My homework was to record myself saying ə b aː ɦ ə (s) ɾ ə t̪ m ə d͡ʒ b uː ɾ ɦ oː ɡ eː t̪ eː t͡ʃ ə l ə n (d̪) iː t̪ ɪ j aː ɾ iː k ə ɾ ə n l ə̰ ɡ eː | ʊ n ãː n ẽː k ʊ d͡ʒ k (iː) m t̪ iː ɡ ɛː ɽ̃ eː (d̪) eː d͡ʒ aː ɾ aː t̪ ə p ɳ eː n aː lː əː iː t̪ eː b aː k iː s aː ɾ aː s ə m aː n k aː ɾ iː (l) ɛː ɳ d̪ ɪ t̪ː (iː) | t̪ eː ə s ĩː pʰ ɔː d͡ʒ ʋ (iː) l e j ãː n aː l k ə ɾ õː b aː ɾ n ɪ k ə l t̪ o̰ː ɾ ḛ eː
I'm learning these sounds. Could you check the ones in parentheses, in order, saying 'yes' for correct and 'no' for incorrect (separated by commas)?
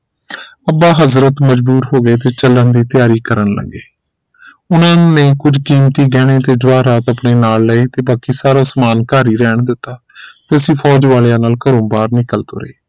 no, yes, yes, no, no, no, no